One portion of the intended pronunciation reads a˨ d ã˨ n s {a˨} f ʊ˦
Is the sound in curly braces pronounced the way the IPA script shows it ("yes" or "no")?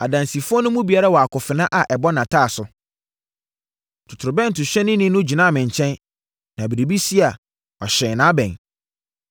no